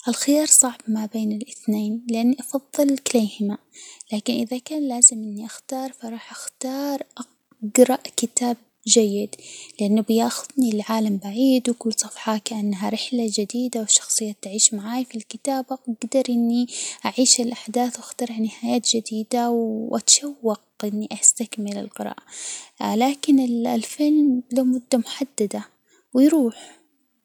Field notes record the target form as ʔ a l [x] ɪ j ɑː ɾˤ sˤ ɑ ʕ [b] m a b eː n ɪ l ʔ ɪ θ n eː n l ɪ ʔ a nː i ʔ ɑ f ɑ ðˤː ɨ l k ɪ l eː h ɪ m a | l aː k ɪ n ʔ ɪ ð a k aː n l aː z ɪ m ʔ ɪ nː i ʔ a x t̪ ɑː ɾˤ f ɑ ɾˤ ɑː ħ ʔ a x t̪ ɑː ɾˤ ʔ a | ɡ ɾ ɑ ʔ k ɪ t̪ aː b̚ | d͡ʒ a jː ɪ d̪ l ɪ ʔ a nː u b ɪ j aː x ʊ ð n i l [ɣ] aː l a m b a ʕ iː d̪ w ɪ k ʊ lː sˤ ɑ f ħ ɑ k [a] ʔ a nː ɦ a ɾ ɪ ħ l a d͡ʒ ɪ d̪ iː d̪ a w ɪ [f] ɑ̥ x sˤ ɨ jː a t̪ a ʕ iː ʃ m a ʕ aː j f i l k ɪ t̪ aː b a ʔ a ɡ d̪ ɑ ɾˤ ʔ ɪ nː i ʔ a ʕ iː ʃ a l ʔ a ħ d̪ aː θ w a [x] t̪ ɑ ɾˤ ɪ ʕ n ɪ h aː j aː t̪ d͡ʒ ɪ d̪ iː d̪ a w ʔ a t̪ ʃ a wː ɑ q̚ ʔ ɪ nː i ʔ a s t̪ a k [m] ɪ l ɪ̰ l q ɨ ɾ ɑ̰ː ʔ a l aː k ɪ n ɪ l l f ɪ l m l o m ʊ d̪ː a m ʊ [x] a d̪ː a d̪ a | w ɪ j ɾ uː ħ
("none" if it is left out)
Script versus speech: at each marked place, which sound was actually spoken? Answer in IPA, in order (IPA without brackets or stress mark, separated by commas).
x, b, ʕ, a, ʃ, x, m, ħ